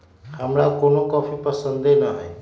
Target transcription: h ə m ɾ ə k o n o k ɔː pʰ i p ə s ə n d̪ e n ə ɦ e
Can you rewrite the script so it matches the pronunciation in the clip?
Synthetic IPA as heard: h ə m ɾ a k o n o k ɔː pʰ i p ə s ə n d̪ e n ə ɦ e